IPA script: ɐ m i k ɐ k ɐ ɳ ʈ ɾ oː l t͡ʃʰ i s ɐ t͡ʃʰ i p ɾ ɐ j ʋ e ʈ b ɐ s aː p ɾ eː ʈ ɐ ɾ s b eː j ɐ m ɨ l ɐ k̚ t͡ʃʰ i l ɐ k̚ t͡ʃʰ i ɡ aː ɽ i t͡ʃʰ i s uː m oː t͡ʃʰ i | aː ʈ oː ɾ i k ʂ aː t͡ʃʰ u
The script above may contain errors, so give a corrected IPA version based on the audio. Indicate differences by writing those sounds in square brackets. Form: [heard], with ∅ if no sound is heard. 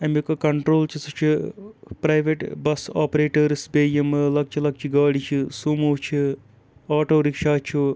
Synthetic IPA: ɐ m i k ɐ k ɐ ɳ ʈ ɾ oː l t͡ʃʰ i s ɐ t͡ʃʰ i p ɾ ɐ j ʋ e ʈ b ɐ s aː p ɾ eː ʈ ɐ ɾ s b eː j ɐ m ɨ l ɐ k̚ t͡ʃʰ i l ɐ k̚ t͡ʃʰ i ɡ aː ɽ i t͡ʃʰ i s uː m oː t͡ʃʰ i | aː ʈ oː ɾ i k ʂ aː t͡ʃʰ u